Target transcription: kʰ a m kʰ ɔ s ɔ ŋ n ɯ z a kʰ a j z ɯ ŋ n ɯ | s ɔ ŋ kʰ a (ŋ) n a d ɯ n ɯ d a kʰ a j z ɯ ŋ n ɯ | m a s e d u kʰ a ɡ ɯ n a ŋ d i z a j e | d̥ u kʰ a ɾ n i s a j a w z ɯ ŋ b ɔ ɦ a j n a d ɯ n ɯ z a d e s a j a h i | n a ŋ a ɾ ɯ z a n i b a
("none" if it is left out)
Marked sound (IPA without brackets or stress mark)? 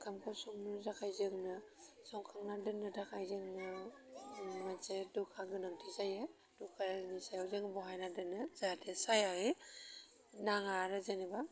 ŋ